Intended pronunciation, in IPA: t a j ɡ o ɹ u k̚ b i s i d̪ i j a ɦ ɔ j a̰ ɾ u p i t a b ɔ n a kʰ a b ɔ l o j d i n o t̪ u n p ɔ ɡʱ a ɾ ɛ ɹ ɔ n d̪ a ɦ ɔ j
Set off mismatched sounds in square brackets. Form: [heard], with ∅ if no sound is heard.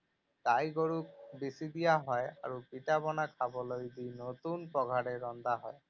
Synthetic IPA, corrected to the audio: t a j ɡ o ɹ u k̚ b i s i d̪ i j a ɦ ɔ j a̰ [ɹ] u p i t a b ɔ n a kʰ a b ɔ l o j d i n o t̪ u n p ɔ ɡʱ a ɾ ɛ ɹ ɔ n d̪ a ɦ ɔ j